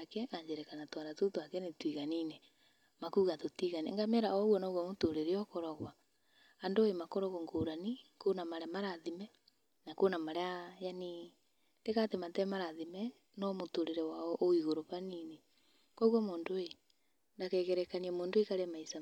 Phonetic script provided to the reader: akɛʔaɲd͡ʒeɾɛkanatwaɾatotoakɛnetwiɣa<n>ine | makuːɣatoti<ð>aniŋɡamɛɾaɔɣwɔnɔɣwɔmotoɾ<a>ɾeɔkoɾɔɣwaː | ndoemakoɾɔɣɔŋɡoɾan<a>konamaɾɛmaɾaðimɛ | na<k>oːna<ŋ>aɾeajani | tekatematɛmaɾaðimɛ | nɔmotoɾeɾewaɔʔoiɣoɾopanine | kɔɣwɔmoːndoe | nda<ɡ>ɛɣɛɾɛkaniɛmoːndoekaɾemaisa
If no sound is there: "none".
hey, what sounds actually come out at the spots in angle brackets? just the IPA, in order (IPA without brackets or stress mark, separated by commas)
n, ɣ, e, i, k, m, k